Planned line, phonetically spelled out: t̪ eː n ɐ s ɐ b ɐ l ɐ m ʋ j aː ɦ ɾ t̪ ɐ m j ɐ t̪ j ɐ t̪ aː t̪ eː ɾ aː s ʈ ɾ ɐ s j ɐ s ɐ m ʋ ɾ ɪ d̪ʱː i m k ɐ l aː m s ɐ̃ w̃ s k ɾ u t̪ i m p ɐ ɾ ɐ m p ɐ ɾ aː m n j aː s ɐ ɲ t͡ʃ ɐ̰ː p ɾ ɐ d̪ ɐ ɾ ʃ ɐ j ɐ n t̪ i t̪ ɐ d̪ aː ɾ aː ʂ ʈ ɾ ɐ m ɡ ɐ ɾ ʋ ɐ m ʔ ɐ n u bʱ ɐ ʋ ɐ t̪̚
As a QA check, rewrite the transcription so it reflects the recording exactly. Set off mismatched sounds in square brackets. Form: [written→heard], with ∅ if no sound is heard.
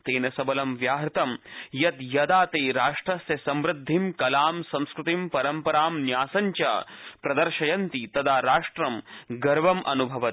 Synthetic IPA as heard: t̪ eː n ɐ s ɐ b ɐ l ɐ m ʋ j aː ɦ ɾ t̪ ɐ m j ɐ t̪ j ɐ [t̪→d̪] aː t̪ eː ɾ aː [s→ʂ] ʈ ɾ ɐ s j ɐ s ɐ m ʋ ɾ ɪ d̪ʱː i m k ɐ l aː m s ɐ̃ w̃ s k ɾ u t̪ i m p ɐ ɾ ɐ m p ɐ ɾ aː m n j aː s ɐ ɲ t͡ʃ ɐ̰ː p ɾ ɐ d̪ ɐ ɾ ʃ ɐ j ɐ n t̪ i t̪ ɐ d̪ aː ɾ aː ʂ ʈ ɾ ɐ m ɡ ɐ ɾ ʋ ɐ m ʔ ɐ n u bʱ ɐ ʋ ɐ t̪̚